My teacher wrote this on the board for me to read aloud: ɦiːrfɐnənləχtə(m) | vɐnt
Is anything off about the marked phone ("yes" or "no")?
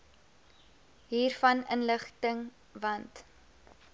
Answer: yes